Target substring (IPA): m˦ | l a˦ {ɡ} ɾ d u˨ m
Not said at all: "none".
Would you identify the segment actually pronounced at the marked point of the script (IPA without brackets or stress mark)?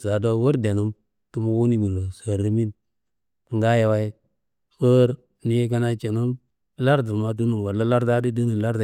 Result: none